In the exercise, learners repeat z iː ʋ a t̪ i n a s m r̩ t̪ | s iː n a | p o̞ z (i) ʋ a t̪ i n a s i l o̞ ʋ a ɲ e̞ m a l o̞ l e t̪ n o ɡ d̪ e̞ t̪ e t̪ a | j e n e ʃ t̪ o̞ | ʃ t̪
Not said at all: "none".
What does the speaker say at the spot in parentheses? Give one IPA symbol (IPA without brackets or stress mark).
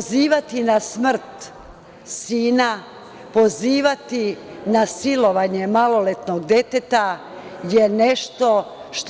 iː